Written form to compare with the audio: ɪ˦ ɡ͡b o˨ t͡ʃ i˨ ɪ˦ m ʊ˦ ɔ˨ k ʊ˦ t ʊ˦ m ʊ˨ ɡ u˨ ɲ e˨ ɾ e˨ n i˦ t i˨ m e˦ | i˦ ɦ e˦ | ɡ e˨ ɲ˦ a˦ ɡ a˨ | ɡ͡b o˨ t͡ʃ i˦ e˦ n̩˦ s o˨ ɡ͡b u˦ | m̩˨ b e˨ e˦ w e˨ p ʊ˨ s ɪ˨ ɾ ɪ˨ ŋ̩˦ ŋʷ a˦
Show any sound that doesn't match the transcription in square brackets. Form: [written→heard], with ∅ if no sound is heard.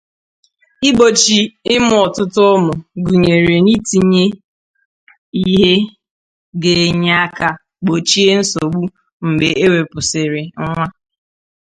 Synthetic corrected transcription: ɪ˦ ɡ͡b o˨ t͡ʃ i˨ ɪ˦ m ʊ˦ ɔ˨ [k→t] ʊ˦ t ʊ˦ m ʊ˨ ɡ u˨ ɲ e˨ ɾ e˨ n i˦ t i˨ [m→ɲ] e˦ | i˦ ɦ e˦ | ɡ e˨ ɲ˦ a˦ [ɡ→k] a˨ | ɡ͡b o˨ t͡ʃ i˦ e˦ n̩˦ s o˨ ɡ͡b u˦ | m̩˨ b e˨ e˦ w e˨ p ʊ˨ s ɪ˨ ɾ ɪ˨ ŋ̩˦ ŋʷ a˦

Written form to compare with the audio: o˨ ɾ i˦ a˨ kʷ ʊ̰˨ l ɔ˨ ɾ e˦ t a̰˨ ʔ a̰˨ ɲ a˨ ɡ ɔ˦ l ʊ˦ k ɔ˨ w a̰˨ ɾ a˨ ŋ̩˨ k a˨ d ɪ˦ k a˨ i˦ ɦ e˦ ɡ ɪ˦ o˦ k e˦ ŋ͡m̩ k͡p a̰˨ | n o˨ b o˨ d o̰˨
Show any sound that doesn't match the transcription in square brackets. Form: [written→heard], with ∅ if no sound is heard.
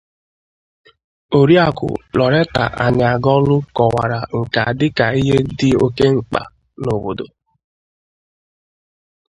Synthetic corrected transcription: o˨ ɾ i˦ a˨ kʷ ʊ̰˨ l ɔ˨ ɾ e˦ t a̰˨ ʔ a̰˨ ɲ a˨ ɡ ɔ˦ l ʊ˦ k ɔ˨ w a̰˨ ɾ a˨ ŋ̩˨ k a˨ d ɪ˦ k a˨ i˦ ɦ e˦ [ɡ→d] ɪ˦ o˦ k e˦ ŋ͡m̩ k͡p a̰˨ | n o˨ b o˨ d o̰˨

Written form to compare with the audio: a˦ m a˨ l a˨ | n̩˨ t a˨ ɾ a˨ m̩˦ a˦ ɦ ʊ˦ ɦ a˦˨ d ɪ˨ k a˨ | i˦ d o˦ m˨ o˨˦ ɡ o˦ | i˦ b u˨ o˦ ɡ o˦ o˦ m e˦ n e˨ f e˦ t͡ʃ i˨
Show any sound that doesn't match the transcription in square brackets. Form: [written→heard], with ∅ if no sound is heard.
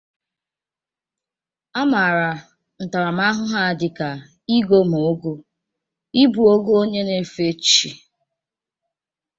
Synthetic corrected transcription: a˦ m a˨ [l→ɾ] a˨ | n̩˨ t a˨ ɾ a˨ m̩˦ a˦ ɦ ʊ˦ ɦ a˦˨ d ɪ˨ k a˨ | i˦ [d→ɡ] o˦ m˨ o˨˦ ɡ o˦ | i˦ b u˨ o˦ ɡ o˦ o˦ [m→ɲ] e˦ n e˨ f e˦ t͡ʃ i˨

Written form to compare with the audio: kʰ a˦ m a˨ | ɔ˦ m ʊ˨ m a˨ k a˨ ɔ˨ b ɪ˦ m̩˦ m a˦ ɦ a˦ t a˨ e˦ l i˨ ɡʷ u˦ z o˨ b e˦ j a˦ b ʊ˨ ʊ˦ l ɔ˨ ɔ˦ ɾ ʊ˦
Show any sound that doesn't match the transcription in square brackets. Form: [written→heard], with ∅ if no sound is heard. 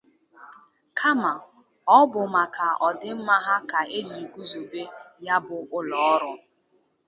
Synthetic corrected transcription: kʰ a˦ m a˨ | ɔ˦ [m→b] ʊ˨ m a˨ k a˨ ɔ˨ [b→d] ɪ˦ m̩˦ m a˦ ɦ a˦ [t→k] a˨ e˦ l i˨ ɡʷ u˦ z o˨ b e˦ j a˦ b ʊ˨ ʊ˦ l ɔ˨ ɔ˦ ɾ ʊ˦

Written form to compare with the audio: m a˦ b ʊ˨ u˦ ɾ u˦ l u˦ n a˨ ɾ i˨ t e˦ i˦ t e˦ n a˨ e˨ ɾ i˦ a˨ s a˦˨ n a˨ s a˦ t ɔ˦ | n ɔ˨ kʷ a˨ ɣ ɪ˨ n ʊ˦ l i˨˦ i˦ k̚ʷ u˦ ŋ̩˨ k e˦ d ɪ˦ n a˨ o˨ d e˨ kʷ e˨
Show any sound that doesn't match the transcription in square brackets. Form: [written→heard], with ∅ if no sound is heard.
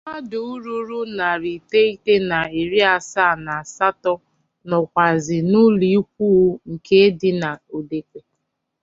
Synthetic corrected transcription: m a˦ [b→d] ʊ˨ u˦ ɾ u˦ [l→ɾ] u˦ n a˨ ɾ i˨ t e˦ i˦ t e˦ n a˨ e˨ ɾ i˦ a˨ s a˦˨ n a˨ s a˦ t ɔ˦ | n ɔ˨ kʷ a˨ [ɣ→z] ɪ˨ n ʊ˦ l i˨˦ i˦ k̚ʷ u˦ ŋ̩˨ k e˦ d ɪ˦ n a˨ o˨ d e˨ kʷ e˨

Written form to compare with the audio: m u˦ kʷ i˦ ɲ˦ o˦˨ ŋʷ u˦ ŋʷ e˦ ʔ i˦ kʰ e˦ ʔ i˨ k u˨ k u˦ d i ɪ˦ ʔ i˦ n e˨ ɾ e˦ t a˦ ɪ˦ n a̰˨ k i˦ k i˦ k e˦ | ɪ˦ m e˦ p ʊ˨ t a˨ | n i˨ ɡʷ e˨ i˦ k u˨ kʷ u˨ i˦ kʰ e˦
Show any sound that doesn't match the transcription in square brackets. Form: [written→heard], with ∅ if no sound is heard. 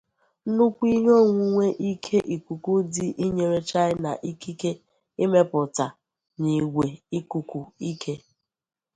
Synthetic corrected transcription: [m→n] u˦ kʷ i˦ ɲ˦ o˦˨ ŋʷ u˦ ŋʷ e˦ ʔ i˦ kʰ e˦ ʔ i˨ k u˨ k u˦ d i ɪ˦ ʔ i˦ [n→ɲ] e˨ ɾ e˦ [t→t͡ʃ] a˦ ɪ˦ n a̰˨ [k→ʔ] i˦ k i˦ k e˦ | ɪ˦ m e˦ p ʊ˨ t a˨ | n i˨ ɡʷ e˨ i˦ k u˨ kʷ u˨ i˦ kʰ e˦

